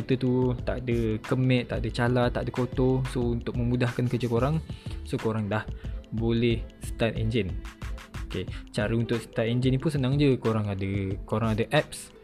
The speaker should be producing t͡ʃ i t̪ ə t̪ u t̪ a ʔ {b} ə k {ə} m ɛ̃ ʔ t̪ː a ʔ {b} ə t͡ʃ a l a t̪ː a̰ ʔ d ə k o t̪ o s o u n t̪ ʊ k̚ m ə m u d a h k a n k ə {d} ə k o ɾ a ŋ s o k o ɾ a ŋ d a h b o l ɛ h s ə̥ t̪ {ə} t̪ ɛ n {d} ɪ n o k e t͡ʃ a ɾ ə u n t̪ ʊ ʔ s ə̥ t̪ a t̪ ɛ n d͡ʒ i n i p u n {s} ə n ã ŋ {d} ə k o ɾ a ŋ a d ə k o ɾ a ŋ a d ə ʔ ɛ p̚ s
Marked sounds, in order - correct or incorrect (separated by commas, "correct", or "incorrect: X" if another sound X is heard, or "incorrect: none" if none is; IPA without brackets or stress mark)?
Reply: incorrect: d, correct, incorrect: d, incorrect: d͡ʒ, incorrect: a, incorrect: d͡ʒ, correct, incorrect: d͡ʒ